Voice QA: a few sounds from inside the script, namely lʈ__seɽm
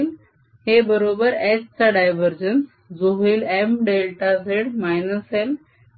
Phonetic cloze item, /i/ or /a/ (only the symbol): a